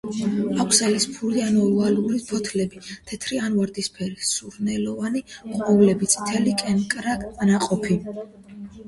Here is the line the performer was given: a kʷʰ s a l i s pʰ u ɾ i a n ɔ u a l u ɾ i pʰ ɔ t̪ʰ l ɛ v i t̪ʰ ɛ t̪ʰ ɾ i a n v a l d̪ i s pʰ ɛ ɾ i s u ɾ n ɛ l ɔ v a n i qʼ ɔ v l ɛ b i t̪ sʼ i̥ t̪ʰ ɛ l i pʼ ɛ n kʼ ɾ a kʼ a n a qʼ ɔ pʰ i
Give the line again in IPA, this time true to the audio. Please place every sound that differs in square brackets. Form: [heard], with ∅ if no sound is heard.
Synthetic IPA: a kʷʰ s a l i s pʰ u ɾ i a n ɔ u a l u ɾ i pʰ ɔ t̪ʰ l ɛ [b] i t̪ʰ ɛ t̪ʰ ɾ i a n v a [ɾ] d̪ i s pʰ ɛ ɾ i s u ɾ n ɛ l ɔ v a n i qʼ ɔ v l ɛ b i t̪ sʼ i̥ t̪ʰ ɛ l i [kʼ] ɛ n kʼ ɾ a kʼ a n a qʼ ɔ pʰ i

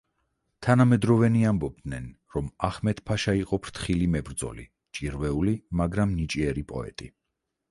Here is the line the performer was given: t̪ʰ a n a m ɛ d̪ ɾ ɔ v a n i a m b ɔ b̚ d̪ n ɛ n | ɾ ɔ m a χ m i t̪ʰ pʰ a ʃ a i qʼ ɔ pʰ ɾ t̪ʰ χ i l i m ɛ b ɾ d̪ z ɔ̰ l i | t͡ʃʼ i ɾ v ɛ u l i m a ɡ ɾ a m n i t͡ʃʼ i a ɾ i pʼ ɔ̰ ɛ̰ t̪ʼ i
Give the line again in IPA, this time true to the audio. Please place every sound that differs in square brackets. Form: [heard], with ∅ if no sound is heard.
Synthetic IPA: t̪ʰ a n a m ɛ d̪ ɾ ɔ v [ɛ] n i a m b ɔ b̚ d̪ n ɛ n | ɾ ɔ m a χ m [ɛ] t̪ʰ pʰ a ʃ a i qʼ ɔ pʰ ɾ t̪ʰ χ i l i m ɛ b ɾ d̪ z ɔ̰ l i | t͡ʃʼ i ɾ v ɛ u l i m a ɡ ɾ a m n i t͡ʃʼ i [ɛ] ɾ i pʼ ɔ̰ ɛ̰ t̪ʼ i

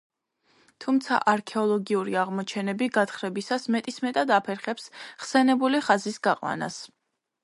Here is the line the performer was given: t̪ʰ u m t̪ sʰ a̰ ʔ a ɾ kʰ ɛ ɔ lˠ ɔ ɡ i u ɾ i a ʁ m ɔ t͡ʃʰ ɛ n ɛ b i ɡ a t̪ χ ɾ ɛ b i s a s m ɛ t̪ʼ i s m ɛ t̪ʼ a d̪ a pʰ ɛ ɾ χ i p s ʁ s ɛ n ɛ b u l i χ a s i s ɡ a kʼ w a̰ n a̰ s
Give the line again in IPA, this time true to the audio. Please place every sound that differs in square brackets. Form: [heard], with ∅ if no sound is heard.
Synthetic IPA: t̪ʰ u m t̪ sʰ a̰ ʔ a ɾ kʰ ɛ ɔ lˠ ɔ ɡ i u ɾ i a ʁ m ɔ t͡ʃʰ ɛ n ɛ b i ɡ a t̪ χ ɾ ɛ b i s a s m ɛ t̪ʼ i s m ɛ t̪ʼ a d̪ a pʰ ɛ ɾ χ [ɛ] p s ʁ s ɛ n ɛ b u l i χ a [z] i s ɡ a [qʼ] w a̰ n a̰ s

